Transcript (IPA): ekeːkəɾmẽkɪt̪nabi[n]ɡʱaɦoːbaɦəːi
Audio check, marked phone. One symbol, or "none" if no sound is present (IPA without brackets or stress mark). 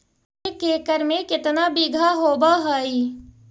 none